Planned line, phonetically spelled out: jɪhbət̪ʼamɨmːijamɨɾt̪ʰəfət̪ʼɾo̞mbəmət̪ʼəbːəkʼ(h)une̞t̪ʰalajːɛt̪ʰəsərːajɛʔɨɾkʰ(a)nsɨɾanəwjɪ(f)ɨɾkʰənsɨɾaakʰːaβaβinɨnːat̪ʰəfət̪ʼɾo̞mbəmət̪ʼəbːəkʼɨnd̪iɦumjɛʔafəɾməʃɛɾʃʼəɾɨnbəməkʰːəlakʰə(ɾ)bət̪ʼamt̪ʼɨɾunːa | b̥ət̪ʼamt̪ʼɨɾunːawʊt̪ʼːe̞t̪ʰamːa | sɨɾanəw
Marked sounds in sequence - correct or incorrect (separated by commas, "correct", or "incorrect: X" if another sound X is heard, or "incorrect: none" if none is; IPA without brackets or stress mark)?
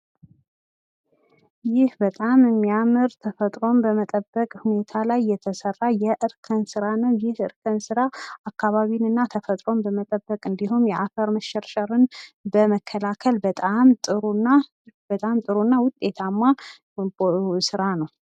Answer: correct, incorrect: ə, incorrect: h, incorrect: l